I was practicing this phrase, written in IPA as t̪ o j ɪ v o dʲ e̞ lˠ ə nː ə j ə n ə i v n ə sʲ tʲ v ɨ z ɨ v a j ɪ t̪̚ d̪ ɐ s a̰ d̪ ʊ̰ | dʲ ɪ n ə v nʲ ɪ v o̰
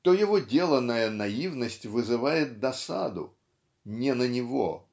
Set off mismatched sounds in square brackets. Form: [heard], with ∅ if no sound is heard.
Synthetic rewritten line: t̪ o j ɪ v o dʲ e̞ lˠ ə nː ə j ə n [ɐ] i v n ə sʲ tʲ v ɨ z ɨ v a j ɪ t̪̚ d̪ ɐ s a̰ d̪ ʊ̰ | [nʲ] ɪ n ə [∅] nʲ ɪ v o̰